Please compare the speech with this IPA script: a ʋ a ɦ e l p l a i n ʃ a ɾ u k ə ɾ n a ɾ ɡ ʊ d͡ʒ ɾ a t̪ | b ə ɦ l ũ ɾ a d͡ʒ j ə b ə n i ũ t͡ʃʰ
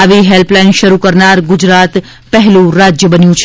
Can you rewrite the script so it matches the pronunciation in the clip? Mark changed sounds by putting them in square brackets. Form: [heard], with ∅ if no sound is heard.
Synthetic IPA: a ʋ [i] ɦ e l p l a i n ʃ [ə] ɾ u k ə ɾ n a ɾ ɡ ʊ d͡ʒ ɾ a t̪ | [p] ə ɦ l ũ ɾ a d͡ʒ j ə b ə n [j] ũ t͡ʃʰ